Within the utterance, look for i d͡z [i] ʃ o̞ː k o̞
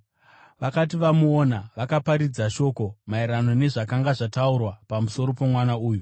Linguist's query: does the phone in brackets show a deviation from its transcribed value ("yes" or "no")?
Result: yes